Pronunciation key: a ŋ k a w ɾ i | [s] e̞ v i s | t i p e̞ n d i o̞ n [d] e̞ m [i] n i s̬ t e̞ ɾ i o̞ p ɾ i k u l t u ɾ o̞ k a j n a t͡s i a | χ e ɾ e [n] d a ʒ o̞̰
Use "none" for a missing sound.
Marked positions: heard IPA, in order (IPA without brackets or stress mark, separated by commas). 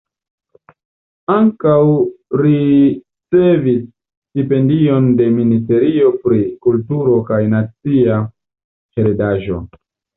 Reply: t͡s, d, i, none